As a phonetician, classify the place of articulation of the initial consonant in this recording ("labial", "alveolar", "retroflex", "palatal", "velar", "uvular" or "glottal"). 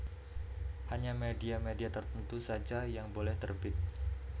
glottal